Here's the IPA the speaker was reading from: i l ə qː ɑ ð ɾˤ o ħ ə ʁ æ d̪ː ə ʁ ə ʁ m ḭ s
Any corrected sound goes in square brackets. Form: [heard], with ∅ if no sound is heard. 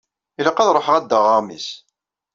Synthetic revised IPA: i l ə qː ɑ ð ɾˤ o ħ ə ʁ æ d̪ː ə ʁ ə ʁ m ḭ s